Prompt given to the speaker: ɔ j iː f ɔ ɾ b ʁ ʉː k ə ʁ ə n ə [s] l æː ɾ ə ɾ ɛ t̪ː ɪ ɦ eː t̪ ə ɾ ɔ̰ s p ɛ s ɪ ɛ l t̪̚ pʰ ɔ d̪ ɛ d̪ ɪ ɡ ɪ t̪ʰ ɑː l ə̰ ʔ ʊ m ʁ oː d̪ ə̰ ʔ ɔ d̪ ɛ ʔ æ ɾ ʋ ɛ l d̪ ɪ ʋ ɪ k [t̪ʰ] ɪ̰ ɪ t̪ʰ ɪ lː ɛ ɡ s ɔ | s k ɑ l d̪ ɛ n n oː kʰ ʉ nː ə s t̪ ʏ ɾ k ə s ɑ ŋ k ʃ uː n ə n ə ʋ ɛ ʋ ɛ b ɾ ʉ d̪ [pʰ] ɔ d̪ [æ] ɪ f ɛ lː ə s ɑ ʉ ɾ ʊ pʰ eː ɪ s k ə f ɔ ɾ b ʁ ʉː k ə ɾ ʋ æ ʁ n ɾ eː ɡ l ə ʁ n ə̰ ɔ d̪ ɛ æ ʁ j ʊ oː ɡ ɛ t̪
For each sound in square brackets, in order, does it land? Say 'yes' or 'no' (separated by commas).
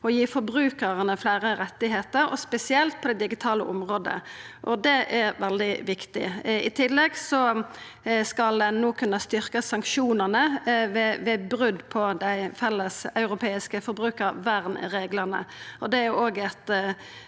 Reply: no, no, yes, yes